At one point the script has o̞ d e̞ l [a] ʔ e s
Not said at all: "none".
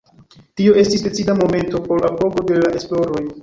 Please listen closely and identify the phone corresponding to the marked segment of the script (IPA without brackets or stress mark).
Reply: a